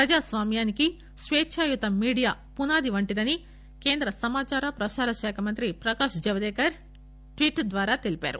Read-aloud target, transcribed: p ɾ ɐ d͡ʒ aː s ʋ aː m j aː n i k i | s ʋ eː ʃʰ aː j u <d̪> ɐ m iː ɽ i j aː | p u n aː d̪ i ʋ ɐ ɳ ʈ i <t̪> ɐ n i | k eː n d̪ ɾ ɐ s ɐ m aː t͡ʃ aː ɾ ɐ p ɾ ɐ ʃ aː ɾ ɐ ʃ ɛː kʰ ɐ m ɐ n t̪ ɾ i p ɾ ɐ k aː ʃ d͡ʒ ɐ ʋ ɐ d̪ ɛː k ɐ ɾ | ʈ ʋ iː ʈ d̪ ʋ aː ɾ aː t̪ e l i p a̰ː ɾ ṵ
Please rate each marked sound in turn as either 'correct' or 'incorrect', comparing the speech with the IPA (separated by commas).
incorrect, incorrect